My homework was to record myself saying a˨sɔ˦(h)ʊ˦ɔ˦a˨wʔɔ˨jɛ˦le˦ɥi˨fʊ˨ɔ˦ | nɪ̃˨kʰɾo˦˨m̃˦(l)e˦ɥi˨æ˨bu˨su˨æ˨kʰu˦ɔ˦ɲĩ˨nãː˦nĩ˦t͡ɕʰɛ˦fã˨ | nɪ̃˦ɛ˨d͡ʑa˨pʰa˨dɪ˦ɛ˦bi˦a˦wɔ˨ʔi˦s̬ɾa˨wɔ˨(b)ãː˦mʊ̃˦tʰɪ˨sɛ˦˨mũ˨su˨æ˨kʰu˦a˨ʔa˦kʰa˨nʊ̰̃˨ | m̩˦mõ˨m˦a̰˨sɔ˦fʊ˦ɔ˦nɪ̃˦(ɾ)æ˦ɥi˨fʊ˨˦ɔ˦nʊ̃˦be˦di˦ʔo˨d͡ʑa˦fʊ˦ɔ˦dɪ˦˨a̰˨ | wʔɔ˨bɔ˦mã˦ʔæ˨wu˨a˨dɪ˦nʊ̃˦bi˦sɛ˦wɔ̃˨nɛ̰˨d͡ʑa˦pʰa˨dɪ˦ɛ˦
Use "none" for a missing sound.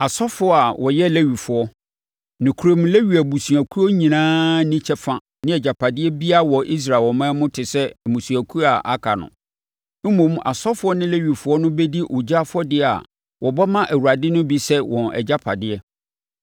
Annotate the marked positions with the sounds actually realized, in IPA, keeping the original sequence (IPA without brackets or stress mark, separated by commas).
f, l, m, l